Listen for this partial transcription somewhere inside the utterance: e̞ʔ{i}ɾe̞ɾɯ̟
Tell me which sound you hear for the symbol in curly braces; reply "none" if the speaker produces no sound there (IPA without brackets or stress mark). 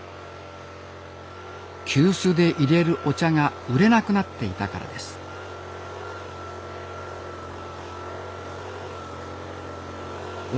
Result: i